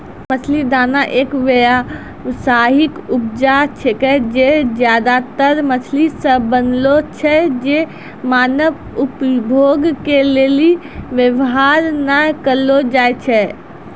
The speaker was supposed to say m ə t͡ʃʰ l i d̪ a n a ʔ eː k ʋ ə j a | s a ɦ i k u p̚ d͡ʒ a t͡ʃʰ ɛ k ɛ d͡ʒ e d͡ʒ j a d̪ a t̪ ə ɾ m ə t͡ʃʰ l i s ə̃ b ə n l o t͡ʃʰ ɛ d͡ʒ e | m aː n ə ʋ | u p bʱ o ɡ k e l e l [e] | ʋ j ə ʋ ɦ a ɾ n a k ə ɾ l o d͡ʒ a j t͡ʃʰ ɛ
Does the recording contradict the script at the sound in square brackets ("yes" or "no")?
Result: yes